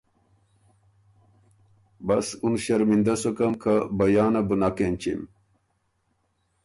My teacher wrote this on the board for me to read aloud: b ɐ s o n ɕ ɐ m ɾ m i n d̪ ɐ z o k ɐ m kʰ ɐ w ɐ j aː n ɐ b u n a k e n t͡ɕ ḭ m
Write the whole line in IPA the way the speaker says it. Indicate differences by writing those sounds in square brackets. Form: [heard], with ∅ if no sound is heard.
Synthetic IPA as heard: b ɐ s [u] n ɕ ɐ [∅] ɾ m i n d̪ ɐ [s] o k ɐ m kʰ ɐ [b] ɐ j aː n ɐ b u n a k e n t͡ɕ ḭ m